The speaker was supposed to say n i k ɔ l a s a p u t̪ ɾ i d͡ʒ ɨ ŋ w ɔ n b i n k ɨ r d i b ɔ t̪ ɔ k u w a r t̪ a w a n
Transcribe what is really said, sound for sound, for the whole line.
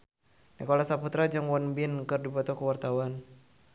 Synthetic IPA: n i k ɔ l a s a p u t̪ ɾ a d͡ʒ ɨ ŋ w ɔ n b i n k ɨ r d i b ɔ t̪ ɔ k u w a r t̪ a w a n

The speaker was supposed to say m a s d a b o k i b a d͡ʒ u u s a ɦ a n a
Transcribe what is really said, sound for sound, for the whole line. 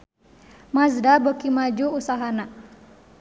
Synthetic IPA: m a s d a b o k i m a d͡ʒ u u s a ɦ a n a

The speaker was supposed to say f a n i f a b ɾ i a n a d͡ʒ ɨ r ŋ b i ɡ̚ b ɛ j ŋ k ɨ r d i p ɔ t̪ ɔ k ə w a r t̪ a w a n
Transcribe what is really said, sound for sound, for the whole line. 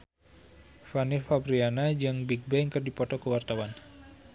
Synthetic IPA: f a n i f a b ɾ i a n a d͡ʒ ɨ ŋ b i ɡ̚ b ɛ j ŋ k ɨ r d i p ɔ t̪ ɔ k ə w a r t̪ a w a n

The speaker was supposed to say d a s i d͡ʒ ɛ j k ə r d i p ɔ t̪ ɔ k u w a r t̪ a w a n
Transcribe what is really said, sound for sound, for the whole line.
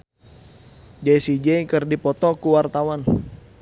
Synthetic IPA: d͡ʒ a s i d͡ʒ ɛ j k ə r d i p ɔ t̪ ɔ k u w a r t̪ a w a n

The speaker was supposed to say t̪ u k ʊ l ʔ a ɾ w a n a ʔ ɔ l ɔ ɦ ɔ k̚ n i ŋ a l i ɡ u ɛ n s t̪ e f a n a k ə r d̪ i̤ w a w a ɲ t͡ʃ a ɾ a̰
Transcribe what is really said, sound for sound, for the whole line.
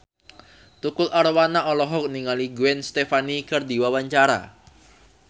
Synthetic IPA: t̪ u k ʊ l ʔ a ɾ w a n a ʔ ɔ l ɔ ɦ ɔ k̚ n i ŋ a l i ɡ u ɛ n s t̪ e f a n i k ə r d̪ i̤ w a w a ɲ t͡ʃ a ɾ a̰

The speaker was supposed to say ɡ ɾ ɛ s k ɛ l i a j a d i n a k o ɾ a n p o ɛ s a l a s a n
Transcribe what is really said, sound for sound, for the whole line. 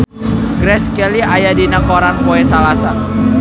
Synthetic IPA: ɡ ɾ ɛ s k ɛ l i a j a d i n a k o ɾ a n p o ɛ s a l a s a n

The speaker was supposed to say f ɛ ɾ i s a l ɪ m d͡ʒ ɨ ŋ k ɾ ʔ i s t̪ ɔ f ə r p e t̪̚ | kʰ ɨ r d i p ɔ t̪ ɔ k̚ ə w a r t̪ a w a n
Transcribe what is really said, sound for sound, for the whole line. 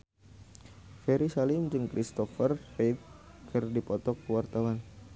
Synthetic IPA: f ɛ ɾ i s a l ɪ m d͡ʒ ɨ ŋ k ɾ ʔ i s t̪ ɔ f ə r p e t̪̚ | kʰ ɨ r d i p ɔ t̪ ɔ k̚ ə w a r t̪ a w a n

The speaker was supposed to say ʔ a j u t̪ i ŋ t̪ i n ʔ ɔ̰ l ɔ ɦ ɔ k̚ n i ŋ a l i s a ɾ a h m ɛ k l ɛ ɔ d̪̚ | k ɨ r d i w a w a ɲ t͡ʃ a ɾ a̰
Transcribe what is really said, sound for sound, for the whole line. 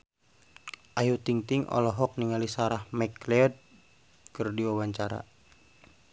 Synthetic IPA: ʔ a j u t̪ i ŋ t̪ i ŋ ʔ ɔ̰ l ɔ ɦ ɔ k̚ n i ŋ a l i s a ɾ a h m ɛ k l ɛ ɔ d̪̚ | k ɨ r d i w a w a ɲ t͡ʃ a ɾ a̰

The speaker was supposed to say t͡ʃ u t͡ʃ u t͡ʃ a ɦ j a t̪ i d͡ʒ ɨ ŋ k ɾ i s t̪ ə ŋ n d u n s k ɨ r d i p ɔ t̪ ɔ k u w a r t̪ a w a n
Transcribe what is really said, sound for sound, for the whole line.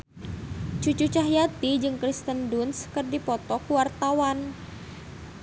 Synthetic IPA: t͡ʃ u t͡ʃ u t͡ʃ a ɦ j a t̪ i d͡ʒ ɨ ŋ k ɾ i s t̪ ə n d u n s k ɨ r d i p ɔ t̪ ɔ k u w a r t̪ a w a n

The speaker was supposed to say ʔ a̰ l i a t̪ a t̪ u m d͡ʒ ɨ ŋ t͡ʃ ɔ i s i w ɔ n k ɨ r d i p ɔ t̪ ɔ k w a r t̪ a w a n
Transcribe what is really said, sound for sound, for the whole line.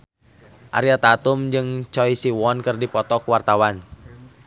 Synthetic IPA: ʔ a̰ ɾ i a t̪ a t̪ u m d͡ʒ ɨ ŋ t͡ʃ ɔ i s i w ɔ n k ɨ r d i p ɔ t̪ ɔ k w a r t̪ a w a n

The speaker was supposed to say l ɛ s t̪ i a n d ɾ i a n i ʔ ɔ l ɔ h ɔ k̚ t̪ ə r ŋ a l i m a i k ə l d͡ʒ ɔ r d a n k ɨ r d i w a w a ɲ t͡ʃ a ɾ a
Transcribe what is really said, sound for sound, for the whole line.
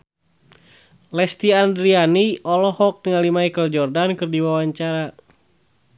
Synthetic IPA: l ɛ s t̪ i a n d ɾ i a n i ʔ ɔ l ɔ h ɔ k̚ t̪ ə ŋ a l i m a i k ə l d͡ʒ ɔ r d a n k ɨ r d i w a w a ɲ t͡ʃ a ɾ a

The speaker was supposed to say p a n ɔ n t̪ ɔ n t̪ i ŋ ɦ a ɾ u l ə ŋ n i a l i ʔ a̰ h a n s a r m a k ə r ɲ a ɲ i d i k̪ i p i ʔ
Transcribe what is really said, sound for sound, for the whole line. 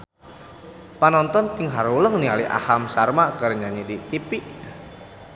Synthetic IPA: p a n ɔ n t̪ ɔ n t̪ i ŋ ɦ a ɾ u l ə ŋ n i a l i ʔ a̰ h a m s a r m a k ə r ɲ a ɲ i d i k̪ i p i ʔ

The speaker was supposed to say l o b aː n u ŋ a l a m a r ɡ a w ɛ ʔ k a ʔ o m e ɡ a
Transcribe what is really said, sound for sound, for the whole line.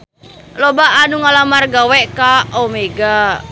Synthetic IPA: l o b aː n u ŋ a l a m a r ɡ a w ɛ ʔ k a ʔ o m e ɡ a

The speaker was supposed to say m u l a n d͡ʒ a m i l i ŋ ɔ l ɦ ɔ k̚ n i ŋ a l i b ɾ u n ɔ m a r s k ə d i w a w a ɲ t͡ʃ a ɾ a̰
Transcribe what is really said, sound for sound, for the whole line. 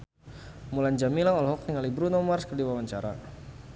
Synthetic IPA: m u l a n d͡ʒ a m i l a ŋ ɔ l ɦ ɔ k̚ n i ŋ a l i b ɾ u n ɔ m a r s k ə d i w a w a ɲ t͡ʃ a ɾ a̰

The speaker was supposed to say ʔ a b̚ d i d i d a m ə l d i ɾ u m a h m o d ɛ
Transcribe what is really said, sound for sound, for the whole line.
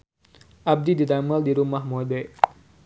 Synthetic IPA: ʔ a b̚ d i d i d a m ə l d i ɾ u m a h m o d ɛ

